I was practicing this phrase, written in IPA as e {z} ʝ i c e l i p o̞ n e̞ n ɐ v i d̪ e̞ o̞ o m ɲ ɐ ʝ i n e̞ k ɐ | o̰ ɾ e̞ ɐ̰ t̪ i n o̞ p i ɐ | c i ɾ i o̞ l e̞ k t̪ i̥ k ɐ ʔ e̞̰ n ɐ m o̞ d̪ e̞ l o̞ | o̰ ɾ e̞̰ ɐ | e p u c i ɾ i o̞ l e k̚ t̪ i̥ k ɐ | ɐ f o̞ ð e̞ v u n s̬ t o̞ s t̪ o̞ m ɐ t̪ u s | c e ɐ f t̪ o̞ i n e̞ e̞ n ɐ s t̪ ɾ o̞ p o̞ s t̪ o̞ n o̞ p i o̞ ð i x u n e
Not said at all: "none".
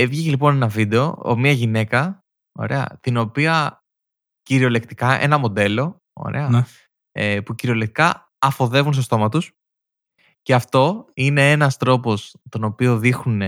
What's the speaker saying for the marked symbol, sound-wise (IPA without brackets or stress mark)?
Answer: v